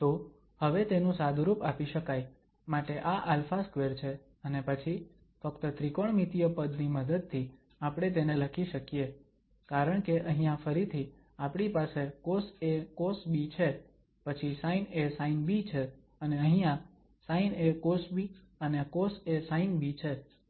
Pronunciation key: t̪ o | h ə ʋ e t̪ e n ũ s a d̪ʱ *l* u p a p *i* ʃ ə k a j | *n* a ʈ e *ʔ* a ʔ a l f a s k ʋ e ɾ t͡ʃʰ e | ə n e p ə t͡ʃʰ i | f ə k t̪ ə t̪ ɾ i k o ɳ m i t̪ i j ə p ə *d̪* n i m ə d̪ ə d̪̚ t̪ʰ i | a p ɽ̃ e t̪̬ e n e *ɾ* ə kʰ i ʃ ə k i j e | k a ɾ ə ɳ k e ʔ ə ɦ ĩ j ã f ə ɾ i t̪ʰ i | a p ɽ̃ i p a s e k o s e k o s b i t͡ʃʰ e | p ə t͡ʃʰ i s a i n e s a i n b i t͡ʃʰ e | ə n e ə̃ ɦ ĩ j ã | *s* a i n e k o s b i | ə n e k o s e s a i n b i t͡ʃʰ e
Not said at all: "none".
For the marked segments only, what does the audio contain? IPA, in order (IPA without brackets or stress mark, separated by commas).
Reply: ɾ, i, m, ʔ, d̪, l, s